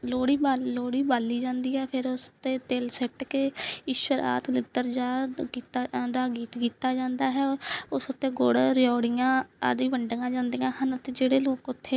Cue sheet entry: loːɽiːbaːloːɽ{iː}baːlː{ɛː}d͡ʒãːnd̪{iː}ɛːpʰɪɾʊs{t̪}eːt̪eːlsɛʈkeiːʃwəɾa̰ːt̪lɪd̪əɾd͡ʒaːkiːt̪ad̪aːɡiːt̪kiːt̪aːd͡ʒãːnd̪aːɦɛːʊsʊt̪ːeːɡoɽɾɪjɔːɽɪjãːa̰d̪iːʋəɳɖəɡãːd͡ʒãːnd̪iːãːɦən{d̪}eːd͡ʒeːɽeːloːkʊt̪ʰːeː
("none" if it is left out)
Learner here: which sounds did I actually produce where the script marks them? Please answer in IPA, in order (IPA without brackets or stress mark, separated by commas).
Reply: iː, iː, iː, t̪, t̪